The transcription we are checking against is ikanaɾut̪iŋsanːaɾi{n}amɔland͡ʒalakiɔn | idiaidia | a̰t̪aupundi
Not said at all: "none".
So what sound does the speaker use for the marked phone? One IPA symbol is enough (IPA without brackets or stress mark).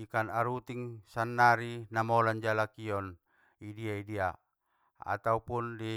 n